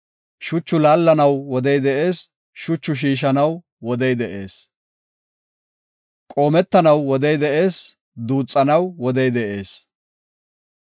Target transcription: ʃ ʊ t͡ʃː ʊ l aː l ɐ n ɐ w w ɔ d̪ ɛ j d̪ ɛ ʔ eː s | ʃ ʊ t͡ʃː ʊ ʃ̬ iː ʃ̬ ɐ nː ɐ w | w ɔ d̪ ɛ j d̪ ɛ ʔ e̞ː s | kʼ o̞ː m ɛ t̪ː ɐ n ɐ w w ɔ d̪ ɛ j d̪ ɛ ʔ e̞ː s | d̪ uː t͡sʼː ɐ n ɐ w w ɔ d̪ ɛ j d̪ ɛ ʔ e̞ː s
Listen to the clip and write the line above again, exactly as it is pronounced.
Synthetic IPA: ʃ ʊ t͡ʃː ʊ l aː lː ɐ n ɐ w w ɔ d̪ ɛ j d̪ ɛ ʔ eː s | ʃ ʊ t͡ʃː ʊ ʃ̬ iː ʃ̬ ɐ n ɐ w | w ɔ d̪ ɛ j d̪ ɛ ʔ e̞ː s | kʼ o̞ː m ɛ t̪ː ɐ n ɐ w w ɔ d̪ ɛ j d̪ ɛ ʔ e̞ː s | d̪ uː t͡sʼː ɐ n ɐ w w ɔ d̪ ɛ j d̪ ɛ ʔ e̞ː s